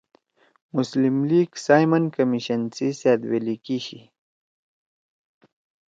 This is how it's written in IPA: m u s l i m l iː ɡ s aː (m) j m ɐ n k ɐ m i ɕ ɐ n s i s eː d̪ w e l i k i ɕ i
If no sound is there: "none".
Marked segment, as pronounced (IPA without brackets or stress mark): none